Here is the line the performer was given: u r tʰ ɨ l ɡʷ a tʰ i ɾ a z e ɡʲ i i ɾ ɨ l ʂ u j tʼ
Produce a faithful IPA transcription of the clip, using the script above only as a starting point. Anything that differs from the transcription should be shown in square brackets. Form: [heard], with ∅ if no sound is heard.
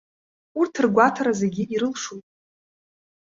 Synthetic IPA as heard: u r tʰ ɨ [r] ɡʷ a tʰ [a] ɾ a z e ɡʲ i i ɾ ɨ l ʂ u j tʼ